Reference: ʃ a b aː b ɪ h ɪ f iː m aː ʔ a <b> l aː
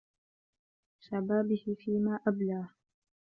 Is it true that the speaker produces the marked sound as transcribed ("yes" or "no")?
yes